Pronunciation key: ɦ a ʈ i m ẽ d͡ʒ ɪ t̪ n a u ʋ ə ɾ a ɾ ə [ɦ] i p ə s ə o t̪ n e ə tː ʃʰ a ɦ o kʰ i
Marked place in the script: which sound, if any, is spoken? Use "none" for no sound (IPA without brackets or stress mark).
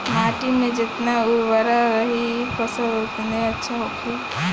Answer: ɦ